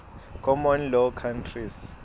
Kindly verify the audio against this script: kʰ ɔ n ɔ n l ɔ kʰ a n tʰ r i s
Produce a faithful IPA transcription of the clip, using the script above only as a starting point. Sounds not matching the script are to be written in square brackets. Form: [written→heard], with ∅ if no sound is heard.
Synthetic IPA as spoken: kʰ ɔ [n→m] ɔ n l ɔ kʰ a n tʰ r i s